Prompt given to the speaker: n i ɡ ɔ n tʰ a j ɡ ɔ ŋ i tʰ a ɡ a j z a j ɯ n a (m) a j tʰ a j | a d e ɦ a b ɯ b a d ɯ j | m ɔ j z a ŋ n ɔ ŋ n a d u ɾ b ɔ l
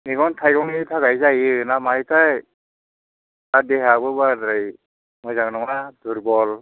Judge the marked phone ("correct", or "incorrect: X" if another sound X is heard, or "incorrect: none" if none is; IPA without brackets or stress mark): correct